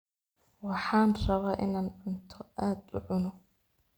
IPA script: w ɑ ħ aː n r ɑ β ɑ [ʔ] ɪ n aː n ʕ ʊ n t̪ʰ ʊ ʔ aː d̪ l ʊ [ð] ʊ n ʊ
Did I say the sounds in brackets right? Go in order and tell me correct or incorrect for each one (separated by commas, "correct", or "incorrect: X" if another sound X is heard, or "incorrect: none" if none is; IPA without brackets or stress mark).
correct, incorrect: ʕ